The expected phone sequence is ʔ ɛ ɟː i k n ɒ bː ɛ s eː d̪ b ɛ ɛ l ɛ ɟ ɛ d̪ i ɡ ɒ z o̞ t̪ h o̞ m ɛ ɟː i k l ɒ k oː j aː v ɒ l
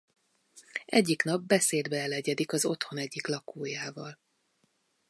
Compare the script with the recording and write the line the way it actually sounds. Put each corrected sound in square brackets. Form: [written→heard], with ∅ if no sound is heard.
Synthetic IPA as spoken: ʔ ɛ ɟː i k n ɒ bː ɛ s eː d̪ b ɛ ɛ l ɛ ɟ ɛ d̪ i [ɡ→k] ɒ z o̞ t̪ h o̞ [m→n] ɛ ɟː i k l ɒ k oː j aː v ɒ l